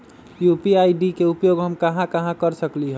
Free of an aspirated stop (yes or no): yes